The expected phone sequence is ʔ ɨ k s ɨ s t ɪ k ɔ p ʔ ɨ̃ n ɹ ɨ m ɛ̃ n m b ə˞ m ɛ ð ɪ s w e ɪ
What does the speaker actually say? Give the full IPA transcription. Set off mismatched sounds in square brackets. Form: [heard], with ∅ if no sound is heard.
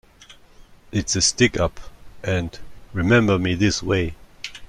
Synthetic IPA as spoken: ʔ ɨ [t] s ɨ s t ɪ k [ʌ] p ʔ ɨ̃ n ɹ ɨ m ɛ̃ [∅] m b ə˞ m [i] ð ɪ s w e ɪ